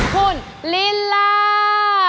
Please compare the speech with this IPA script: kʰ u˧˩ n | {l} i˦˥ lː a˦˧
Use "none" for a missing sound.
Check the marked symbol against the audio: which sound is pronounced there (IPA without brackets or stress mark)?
l